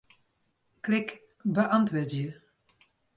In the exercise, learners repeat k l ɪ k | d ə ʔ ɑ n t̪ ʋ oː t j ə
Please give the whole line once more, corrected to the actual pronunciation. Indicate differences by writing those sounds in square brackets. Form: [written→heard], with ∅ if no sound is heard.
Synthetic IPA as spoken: k l ɪ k | [d→b] ə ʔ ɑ n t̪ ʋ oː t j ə